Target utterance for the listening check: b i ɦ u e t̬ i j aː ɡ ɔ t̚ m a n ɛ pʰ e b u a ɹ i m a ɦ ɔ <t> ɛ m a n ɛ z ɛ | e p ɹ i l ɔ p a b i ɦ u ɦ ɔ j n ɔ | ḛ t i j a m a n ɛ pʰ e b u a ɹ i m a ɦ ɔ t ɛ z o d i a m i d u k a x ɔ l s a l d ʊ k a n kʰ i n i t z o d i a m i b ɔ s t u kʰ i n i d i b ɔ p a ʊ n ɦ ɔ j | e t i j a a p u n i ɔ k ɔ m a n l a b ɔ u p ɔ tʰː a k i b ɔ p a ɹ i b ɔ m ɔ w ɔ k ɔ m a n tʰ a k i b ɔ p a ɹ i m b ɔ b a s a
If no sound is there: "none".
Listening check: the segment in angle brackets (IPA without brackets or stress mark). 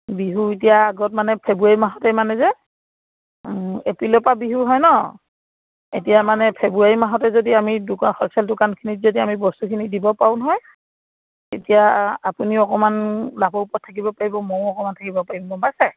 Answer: t